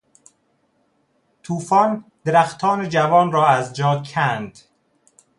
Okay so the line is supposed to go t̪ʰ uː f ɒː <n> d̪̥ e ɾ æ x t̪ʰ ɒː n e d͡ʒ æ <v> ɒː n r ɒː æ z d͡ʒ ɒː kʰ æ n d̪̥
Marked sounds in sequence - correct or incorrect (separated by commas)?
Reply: correct, correct